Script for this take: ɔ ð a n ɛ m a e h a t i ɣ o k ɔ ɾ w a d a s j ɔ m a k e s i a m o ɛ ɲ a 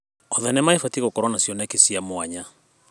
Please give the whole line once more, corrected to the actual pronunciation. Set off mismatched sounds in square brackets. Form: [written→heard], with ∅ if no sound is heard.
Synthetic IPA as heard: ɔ ð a n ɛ m a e [h→f] a t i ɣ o k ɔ ɾ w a [d→n] a s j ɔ [m→n] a k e s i a m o [ɛ→a] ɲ a